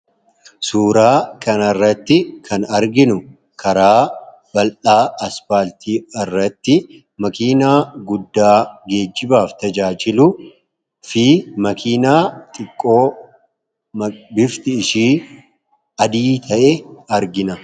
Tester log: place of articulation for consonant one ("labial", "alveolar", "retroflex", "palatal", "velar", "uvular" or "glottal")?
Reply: alveolar